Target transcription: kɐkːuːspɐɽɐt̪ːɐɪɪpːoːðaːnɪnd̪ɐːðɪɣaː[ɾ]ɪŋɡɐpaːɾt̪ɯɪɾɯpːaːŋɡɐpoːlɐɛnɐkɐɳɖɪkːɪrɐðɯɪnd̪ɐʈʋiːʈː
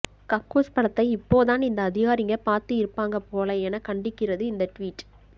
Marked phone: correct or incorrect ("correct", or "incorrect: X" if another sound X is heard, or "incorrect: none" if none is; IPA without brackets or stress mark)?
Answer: correct